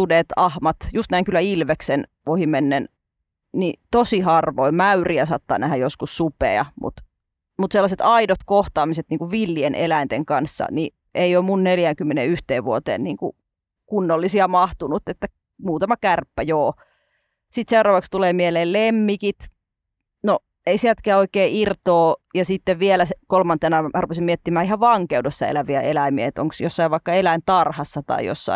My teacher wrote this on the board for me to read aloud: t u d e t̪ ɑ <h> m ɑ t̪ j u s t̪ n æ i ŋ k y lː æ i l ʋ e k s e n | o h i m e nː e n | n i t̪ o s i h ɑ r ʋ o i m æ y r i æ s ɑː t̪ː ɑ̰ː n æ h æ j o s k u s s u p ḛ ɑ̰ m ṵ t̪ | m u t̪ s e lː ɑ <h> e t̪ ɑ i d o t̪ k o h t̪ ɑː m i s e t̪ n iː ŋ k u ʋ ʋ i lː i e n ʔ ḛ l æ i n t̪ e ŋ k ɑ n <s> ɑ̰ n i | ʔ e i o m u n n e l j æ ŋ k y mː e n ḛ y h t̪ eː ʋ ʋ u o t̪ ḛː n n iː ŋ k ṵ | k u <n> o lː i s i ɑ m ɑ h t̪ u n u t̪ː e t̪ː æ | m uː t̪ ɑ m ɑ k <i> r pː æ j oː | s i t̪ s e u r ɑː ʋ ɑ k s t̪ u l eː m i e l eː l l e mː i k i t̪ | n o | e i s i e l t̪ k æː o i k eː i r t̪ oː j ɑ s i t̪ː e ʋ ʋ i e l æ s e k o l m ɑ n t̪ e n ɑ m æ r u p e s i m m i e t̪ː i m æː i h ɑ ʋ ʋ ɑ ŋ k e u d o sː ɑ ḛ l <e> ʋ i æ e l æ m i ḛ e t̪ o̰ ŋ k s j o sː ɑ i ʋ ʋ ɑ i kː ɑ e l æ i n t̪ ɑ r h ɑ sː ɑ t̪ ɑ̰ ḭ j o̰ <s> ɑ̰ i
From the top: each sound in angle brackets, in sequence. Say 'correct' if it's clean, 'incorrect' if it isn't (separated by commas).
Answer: correct, incorrect, incorrect, incorrect, incorrect, incorrect, incorrect